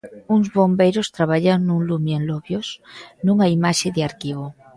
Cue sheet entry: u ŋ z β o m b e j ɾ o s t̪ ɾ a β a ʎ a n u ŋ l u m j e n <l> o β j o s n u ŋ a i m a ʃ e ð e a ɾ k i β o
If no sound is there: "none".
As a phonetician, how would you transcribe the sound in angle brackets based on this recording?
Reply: l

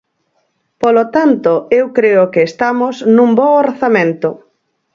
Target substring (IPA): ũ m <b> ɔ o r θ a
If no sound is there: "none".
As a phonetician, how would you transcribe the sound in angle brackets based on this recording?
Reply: b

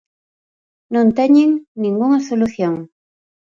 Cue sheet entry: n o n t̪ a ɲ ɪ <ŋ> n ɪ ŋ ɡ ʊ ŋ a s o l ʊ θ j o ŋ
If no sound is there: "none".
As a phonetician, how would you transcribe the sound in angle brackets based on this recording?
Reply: ŋ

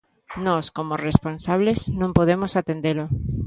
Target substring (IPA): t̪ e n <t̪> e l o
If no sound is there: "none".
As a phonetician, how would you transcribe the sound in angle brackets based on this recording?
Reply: d̪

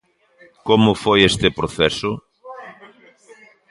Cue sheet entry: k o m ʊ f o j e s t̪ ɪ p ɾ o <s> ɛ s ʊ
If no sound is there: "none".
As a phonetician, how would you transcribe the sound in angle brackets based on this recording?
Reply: θ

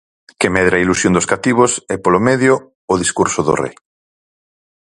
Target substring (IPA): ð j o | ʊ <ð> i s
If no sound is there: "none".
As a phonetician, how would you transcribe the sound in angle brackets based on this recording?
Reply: ð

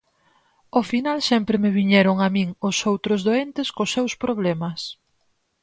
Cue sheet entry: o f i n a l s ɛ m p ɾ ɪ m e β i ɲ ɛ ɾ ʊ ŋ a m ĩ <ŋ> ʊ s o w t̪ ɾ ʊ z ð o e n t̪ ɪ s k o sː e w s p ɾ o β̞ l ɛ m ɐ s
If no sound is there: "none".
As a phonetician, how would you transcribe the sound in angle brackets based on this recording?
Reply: ŋ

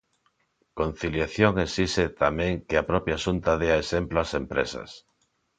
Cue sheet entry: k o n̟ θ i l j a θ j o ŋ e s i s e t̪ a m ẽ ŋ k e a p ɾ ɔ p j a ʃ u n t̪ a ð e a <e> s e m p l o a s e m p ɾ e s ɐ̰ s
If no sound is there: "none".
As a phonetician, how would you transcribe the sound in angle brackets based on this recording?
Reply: e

